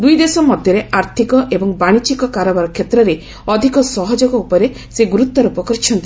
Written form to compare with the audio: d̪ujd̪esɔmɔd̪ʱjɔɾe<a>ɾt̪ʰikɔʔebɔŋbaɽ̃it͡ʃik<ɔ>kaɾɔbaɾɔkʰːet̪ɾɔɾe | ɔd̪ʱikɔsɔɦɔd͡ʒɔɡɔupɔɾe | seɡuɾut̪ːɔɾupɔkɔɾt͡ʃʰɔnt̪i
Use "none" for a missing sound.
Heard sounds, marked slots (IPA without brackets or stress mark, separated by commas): a, ɔ